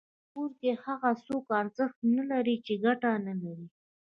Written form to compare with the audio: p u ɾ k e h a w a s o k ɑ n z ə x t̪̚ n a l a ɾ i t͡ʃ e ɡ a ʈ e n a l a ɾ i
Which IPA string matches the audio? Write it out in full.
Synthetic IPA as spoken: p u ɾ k e h a ɣ a s o k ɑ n z ə x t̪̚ n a l a ɾ i t͡ʃ e ɡ a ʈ a n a l a ɾ i